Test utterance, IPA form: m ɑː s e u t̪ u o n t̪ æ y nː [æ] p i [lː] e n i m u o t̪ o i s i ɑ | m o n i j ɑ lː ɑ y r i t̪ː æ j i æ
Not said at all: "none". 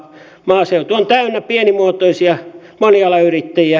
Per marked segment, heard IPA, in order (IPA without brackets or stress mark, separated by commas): æ, none